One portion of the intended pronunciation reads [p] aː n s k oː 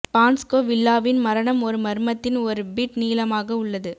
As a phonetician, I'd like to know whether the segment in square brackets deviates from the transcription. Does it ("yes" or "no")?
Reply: no